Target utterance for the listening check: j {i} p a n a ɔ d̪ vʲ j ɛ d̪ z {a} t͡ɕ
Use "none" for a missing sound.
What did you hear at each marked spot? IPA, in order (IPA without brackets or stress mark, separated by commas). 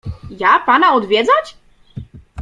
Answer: a, a